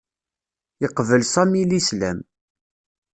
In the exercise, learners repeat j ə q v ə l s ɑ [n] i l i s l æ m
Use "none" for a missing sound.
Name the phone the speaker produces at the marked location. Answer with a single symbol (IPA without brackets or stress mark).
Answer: m